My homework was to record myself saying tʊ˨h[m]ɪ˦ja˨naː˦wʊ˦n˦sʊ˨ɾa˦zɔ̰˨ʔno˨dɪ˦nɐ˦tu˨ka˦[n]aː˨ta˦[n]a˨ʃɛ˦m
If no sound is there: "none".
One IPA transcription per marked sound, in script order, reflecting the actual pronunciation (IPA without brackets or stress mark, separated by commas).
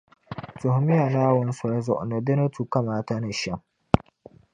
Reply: m, m, n